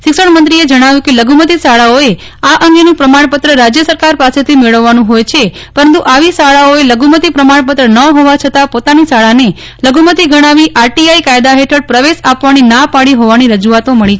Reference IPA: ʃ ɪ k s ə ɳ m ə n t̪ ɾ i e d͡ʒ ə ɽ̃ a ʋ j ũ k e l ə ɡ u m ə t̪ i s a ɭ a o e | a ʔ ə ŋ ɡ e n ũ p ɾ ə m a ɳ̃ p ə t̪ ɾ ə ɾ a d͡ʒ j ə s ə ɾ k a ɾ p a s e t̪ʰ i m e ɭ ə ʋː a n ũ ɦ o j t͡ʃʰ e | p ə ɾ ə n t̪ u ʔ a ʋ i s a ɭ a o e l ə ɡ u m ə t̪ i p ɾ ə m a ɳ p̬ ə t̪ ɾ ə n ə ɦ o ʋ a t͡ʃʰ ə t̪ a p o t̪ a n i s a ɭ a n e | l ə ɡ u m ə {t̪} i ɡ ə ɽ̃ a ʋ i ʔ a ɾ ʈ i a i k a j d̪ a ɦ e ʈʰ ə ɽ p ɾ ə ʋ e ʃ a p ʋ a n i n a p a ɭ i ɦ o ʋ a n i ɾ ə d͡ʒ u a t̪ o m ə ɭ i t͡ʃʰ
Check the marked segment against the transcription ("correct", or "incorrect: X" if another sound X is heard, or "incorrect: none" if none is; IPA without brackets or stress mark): correct